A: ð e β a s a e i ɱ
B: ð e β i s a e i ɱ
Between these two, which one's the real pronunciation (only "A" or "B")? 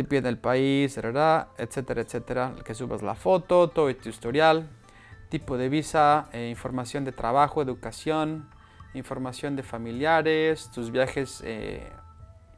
B